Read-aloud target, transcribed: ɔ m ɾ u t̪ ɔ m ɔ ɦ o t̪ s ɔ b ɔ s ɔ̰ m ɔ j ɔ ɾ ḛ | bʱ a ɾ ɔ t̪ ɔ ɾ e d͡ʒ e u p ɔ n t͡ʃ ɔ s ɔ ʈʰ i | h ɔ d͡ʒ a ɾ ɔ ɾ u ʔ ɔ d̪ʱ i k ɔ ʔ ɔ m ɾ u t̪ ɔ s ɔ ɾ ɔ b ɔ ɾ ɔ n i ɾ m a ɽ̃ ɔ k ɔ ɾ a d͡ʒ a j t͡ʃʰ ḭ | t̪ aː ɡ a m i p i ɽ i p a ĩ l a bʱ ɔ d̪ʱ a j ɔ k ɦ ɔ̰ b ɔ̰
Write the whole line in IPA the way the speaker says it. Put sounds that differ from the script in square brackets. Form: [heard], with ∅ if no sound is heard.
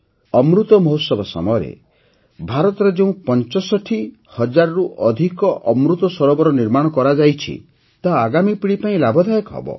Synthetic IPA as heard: ɔ m ɾ u t̪ ɔ m ɔ ɦ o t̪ s ɔ b ɔ s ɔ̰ m ɔ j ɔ ɾ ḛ | bʱ a ɾ ɔ t̪ ɔ ɾ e d͡ʒ e [ũ] p ɔ n t͡ʃ ɔ s ɔ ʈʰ i | h ɔ d͡ʒ a ɾ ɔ ɾ u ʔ ɔ d̪ʱ i k ɔ ʔ ɔ m ɾ u t̪ ɔ s ɔ ɾ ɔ b ɔ ɾ ɔ n i ɾ m a ɽ̃ ɔ k ɔ ɾ a d͡ʒ a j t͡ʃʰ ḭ | t̪ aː ɡ a m i p i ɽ i p a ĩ l a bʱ ɔ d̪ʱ a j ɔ k ɦ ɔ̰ b ɔ̰